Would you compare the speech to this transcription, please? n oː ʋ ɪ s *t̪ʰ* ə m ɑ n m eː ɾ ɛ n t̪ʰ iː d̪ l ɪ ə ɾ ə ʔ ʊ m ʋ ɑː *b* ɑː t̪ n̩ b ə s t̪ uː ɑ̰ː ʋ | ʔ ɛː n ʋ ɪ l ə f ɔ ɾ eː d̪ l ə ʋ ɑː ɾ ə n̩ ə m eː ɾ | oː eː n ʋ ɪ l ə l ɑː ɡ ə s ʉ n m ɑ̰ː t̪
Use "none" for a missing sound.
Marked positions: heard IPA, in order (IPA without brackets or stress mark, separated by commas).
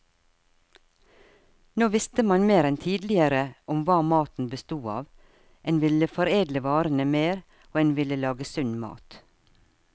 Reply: t̪, m